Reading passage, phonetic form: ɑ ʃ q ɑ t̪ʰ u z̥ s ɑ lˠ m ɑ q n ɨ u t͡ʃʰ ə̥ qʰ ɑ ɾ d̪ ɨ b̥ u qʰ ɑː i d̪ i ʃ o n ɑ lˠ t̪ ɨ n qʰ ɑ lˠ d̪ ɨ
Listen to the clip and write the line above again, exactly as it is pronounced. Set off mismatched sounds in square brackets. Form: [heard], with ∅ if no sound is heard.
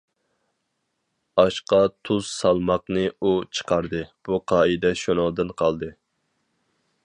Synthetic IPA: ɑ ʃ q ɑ t̪ʰ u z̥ s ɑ lˠ m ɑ q n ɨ u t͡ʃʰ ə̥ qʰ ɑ ɾ d̪ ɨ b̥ u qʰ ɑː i d̪ [ɛ] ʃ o n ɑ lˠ [d̪] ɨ n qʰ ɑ lˠ d̪ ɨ